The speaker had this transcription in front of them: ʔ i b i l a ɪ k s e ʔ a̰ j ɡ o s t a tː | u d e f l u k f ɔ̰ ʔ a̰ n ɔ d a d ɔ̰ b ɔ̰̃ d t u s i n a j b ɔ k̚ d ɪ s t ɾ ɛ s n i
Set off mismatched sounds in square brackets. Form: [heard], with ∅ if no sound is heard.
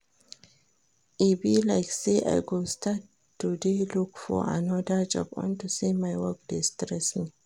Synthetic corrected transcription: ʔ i b i l a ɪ k s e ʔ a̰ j ɡ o s t a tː | u d e [∅] l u k f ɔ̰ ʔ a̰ n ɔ d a [d͡ʒ] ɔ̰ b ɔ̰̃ [n] t u s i [m] a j [w] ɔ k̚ d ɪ s t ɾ ɛ s n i

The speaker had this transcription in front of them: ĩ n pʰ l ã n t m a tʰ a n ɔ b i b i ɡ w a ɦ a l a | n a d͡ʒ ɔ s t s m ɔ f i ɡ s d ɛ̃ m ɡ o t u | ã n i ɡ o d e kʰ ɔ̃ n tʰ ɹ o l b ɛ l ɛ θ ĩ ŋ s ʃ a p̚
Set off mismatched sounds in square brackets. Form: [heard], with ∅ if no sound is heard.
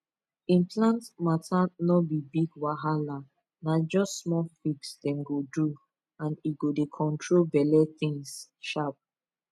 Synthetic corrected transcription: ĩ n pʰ l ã n t m a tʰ a n ɔ b i b i ɡ w a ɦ a l a | n a d͡ʒ ɔ s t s m ɔ f i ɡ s d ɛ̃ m ɡ o [d] u | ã n i ɡ o d e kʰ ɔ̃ n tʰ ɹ o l b ɛ l ɛ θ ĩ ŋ s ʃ a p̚

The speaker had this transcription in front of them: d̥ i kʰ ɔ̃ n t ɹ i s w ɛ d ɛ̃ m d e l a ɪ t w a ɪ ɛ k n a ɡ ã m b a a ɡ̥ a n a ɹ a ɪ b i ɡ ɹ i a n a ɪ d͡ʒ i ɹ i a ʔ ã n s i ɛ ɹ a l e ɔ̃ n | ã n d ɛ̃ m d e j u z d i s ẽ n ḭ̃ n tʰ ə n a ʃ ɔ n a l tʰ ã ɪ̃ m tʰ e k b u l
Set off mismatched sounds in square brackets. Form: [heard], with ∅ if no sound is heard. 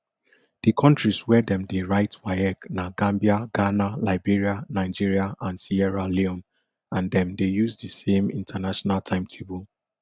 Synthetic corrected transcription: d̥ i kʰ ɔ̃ n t ɹ i s w ɛ d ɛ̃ m d e [ɹ] a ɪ t w a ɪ ɛ k n a ɡ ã m b [i] a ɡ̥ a n a [l] a ɪ b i [∅] ɹ i a n a ɪ d͡ʒ i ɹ i a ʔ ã n s i ɛ ɹ a l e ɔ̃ n | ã n d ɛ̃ m d e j u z d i s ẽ [m] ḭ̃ n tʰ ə n a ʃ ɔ n a l tʰ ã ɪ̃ m tʰ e [∅] b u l

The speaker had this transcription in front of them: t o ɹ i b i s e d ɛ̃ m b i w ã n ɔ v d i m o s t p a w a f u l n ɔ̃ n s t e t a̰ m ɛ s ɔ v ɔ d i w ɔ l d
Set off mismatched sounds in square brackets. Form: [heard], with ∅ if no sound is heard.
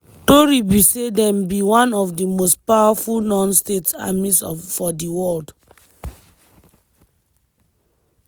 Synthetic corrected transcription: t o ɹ i b i s e d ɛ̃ m b i w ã n ɔ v d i m o s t p a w a f u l n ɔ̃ n s t e t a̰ m [i] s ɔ [f] ɔ d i w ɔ l d

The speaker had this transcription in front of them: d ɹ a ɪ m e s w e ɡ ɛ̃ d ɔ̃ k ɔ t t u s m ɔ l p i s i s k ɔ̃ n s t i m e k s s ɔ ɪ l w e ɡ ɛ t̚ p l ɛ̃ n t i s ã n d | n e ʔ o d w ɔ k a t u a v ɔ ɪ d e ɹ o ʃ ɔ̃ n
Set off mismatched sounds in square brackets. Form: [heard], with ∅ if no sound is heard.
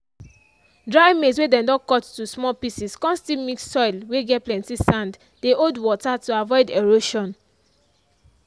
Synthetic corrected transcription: d ɹ a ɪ m e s w e [d] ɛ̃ d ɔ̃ k ɔ t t u s m ɔ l p i s i s k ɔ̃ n s t i m [i] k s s ɔ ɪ l w e ɡ ɛ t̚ p l ɛ̃ n t i s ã n d | [d] e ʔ o d w ɔ [t] a t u a v ɔ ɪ d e ɹ o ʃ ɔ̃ n

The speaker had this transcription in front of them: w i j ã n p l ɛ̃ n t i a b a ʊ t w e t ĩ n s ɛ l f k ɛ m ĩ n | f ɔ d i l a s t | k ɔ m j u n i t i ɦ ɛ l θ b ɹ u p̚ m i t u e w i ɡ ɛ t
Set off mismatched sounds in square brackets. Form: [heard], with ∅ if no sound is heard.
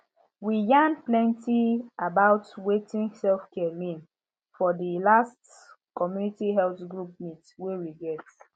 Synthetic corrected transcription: w i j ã n p l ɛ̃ n t i a b a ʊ t w e t ĩ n s ɛ l f k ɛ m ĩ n | f ɔ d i l a s t | k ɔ m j u n i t i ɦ ɛ l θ [ɡ] ɹ u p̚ m i t [w] e w i ɡ ɛ t

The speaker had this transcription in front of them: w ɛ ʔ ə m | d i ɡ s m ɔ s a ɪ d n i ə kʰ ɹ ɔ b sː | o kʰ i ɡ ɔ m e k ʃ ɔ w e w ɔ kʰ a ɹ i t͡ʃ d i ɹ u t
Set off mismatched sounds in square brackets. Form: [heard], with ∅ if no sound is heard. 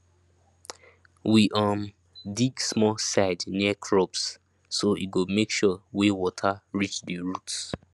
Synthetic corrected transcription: w [i] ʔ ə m | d i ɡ s m ɔ s a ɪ d n i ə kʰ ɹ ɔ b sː | o [∅] i ɡ [o] m e k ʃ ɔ w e w ɔ [tʰ] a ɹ i t͡ʃ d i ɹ u t

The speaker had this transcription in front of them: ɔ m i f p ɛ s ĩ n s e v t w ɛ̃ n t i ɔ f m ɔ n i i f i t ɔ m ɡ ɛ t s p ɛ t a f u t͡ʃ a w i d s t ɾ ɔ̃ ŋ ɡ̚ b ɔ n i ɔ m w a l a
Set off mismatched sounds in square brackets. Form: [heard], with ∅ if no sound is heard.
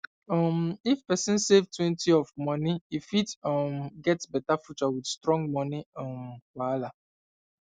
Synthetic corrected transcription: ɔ m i f p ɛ s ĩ n s e v t w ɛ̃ n t i ɔ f m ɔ n i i f i t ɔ m ɡ ɛ t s [b] ɛ t a f u t͡ʃ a w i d s t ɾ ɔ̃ ŋ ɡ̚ [m] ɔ n i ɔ m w a l a

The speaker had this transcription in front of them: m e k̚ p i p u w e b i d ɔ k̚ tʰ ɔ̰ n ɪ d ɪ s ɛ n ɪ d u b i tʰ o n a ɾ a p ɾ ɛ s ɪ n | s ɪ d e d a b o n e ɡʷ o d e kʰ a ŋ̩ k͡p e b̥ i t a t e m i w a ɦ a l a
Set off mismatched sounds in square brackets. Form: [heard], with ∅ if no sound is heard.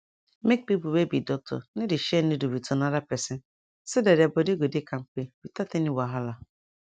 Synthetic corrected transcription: m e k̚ p i p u w e b i d ɔ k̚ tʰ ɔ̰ n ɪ d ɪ [ʃ] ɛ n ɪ d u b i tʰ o n a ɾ a p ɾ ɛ s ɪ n | s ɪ d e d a b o [d] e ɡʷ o d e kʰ a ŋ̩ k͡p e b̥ i t a t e [n] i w a ɦ a l a

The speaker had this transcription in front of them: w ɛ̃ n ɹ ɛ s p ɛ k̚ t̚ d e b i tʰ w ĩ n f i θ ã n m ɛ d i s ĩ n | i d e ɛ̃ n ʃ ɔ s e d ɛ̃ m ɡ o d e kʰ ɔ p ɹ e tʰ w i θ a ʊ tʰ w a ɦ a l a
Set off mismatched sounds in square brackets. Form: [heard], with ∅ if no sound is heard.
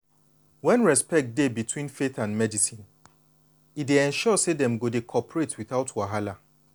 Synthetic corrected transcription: w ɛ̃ n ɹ ɛ s p ɛ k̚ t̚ d e b i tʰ w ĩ n f [e] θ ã n m ɛ d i s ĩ n | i d e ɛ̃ n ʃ ɔ s e d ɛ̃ m ɡ o d e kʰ ɔ p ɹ e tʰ w i θ a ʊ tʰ w a ɦ a l a

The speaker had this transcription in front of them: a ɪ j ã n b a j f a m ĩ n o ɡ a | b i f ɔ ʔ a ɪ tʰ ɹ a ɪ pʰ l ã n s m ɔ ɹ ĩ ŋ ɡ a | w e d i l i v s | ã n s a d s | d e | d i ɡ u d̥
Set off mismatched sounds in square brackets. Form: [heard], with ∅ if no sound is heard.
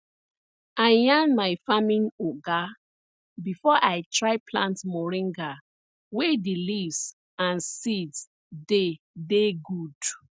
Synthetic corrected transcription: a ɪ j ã n [m] a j f a m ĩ n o ɡ a | b i f ɔ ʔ a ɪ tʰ ɹ a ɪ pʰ l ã n [t] m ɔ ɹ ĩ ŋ ɡ a | w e d i l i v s | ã n s [i] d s | d e | d [e] ɡ u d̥

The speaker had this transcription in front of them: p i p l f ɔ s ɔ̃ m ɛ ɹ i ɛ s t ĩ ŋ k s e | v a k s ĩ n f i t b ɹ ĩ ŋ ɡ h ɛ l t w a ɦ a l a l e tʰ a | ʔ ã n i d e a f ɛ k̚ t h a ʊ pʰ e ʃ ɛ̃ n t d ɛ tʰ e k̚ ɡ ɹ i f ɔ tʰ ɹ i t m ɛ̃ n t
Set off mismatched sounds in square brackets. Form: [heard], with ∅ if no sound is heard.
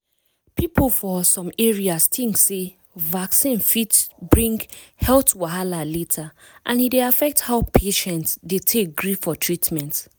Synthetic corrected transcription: p i p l f ɔ s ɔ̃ m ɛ ɹ i [a] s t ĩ ŋ k s e | v a k s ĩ n f i t b ɹ ĩ ŋ ɡ h ɛ l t w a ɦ a l a l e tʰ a | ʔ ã n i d e a f ɛ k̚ t h a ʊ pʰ e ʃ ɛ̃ n t d [e] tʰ e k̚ ɡ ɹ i f ɔ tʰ ɹ i t m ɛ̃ n t

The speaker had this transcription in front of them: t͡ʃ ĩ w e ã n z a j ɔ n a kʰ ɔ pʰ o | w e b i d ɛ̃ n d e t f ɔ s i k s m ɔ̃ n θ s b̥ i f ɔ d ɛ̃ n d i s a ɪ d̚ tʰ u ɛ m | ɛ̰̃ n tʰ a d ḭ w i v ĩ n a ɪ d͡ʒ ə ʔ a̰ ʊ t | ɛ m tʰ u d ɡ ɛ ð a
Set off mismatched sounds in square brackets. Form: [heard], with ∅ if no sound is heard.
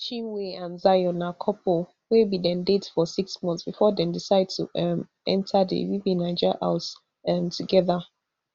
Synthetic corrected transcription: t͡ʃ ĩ w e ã n z a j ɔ n a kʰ ɔ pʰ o | w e b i d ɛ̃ n d e t f ɔ s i k s m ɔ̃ n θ s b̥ i f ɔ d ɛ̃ n d i s a ɪ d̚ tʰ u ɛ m | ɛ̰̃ n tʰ a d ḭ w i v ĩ n a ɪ d͡ʒ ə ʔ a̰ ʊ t | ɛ m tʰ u [∅] ɡ ɛ ð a

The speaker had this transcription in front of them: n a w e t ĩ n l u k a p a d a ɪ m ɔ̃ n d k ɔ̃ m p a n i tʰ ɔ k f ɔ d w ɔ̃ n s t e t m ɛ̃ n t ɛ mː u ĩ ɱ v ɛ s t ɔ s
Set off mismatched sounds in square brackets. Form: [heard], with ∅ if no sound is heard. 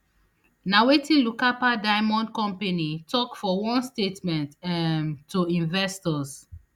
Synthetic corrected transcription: n a w e t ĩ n l u k a p a d a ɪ m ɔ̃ n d k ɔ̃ m p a n i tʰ ɔ k f ɔ [∅] w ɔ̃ n s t e t m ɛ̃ n t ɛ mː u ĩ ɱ v ɛ s t ɔ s

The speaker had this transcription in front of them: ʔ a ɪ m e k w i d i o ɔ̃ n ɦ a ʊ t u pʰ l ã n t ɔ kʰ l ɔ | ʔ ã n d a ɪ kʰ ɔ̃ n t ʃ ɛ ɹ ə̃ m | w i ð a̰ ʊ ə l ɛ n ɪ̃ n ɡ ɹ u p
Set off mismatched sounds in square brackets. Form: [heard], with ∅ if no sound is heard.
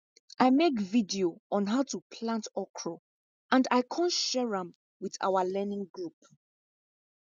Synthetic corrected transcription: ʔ a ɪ m e k [v] i d i o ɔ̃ n ɦ a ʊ t u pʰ l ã n t ɔ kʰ [ɹ] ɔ | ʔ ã n d a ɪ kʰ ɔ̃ n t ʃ ɛ ɹ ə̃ m | w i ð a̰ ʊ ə l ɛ n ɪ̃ [ŋ] ɡ ɹ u p

